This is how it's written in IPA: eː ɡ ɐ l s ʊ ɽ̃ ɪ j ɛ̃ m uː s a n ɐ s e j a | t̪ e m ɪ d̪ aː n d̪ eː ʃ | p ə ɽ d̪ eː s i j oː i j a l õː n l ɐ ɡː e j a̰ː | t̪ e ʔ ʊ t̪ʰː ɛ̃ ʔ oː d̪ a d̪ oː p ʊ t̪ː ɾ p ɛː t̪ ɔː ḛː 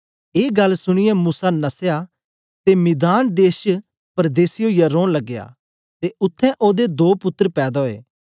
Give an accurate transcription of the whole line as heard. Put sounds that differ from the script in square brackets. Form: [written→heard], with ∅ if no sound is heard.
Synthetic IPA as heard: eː ɡ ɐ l s ʊ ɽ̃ ɪ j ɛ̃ m uː s a n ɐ s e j a | t̪ e m ɪ d̪ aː n d̪ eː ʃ | p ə [ɽ→ɾ] d̪ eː s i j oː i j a [l→ɾ] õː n l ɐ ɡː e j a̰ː | t̪ e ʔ ʊ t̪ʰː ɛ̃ ʔ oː d̪ [a→e] d̪ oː p ʊ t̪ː ɾ p ɛː [t̪→d̪] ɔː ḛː